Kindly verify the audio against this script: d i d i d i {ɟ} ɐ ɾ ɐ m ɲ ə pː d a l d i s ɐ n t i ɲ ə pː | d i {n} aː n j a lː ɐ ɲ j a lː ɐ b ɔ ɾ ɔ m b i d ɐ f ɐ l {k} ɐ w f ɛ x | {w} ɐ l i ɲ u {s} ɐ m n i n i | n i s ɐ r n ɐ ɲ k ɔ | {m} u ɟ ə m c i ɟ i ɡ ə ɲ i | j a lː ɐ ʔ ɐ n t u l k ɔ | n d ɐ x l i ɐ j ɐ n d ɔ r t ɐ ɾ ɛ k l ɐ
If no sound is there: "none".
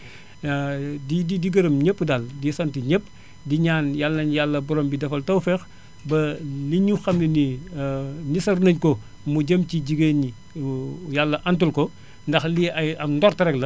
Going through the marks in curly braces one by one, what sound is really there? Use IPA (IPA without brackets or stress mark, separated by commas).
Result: ɡ, ɲ, t, b, x, m